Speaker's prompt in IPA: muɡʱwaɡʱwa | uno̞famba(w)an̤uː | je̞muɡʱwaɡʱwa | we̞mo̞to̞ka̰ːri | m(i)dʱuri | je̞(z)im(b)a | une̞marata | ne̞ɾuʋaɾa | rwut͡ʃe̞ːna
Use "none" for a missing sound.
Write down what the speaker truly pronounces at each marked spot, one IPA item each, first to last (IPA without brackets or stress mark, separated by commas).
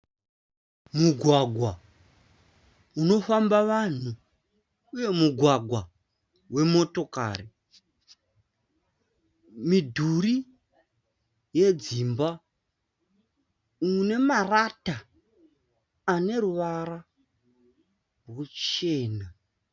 ʋ, i, d͡z, b